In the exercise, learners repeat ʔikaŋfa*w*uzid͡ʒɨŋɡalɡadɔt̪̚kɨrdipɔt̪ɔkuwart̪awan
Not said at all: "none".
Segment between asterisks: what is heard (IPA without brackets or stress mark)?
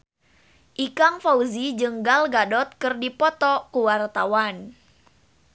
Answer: none